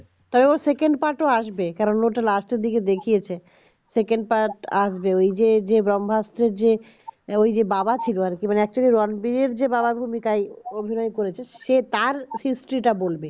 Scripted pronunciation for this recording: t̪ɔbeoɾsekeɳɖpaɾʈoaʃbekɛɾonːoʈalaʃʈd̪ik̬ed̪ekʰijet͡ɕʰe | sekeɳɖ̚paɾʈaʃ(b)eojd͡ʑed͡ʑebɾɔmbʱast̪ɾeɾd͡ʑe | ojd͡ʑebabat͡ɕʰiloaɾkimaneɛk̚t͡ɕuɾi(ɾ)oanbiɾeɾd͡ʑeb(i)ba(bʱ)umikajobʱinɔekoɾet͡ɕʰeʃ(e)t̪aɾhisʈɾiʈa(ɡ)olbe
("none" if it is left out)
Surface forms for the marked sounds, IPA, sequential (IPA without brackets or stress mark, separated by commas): b, ɾ, a, bʱ, e, b